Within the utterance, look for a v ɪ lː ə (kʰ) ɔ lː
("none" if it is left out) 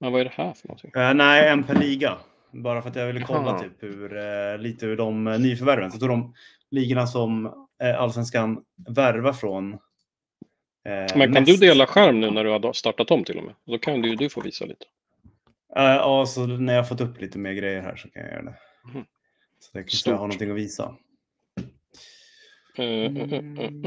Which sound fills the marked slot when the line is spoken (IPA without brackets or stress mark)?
kʰ